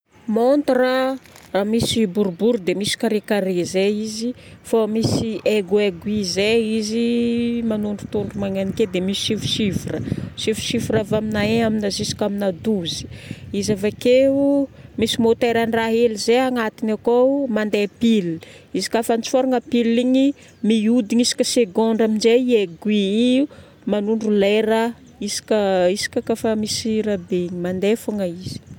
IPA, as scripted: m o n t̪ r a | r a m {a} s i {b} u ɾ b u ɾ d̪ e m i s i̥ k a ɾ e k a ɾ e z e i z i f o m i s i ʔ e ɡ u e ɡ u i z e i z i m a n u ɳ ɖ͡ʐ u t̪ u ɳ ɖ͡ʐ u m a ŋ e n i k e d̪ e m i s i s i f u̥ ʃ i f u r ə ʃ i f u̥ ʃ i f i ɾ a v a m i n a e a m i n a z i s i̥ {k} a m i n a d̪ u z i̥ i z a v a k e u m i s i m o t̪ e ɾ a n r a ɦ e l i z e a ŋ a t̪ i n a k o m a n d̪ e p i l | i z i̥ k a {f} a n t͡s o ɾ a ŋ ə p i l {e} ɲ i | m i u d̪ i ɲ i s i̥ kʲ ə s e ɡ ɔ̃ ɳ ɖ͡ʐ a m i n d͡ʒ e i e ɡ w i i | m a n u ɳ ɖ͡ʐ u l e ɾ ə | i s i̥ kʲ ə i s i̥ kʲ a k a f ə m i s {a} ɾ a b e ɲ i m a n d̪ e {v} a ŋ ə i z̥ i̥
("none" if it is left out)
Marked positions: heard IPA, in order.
i, b, k, f, i, i, f

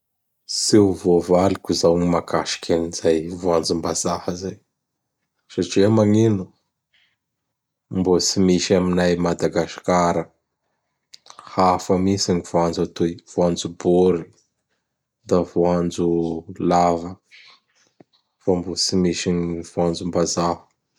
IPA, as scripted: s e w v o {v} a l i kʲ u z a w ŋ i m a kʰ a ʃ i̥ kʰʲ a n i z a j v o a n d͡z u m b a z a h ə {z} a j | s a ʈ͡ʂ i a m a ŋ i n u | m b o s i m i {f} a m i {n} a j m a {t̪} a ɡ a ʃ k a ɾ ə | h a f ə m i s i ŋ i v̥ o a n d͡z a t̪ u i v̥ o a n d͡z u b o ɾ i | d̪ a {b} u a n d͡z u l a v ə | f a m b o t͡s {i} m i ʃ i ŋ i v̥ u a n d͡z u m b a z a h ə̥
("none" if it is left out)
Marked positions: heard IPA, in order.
v, z, ʃ, n, d̪, v, i

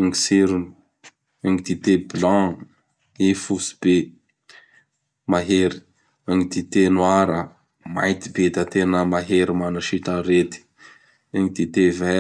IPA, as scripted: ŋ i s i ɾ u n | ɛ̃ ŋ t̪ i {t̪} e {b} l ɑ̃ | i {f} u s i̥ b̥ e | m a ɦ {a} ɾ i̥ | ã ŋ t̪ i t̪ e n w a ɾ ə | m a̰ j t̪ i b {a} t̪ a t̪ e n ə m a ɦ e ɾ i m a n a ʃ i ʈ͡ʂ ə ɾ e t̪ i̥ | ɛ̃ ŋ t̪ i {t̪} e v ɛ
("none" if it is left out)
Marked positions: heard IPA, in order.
t̪, b, f, e, e, t̪

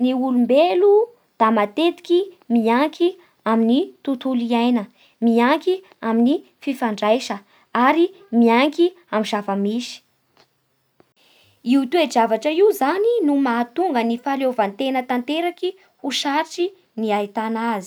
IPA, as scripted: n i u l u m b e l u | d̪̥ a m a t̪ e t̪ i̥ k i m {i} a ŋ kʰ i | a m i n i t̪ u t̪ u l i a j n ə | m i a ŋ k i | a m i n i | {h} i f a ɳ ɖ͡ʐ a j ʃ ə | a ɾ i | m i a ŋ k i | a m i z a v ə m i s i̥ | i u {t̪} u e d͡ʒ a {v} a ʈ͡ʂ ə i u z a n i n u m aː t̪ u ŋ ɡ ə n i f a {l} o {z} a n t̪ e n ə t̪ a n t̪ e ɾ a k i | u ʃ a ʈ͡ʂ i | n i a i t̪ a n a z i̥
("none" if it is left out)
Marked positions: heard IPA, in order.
i, f, t̪, v, l, v

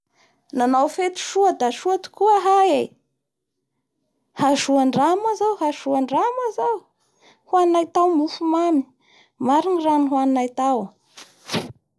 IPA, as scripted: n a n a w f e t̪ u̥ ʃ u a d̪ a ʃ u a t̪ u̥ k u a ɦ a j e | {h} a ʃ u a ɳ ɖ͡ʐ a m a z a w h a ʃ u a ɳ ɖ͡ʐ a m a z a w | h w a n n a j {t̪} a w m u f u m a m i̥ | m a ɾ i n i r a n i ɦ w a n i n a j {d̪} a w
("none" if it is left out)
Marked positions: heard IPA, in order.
h, t̪, t̪

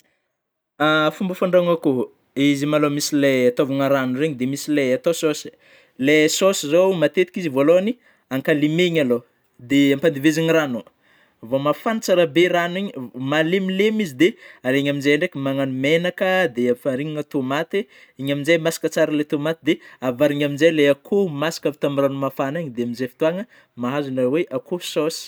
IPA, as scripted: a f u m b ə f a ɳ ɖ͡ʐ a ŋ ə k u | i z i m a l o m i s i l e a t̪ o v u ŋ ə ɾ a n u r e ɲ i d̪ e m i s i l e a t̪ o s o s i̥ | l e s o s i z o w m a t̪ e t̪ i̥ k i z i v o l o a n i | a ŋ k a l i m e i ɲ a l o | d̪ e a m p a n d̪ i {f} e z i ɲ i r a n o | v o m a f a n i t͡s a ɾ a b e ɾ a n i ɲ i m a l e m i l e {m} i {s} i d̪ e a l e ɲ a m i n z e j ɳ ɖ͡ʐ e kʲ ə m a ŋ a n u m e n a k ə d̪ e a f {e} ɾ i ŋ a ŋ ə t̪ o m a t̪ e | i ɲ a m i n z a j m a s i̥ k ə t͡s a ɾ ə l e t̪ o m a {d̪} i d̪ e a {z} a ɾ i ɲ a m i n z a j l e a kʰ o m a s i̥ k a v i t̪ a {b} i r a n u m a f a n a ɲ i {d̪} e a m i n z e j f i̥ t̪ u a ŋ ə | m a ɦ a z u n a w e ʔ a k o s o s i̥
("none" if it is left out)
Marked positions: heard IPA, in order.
v, m, z, a, t̪, v, m, d̪

